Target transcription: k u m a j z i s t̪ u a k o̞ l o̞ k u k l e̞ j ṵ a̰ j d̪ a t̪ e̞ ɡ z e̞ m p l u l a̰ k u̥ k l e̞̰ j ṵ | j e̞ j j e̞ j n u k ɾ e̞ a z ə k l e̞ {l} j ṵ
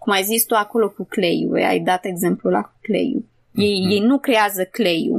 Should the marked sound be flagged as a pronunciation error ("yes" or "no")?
yes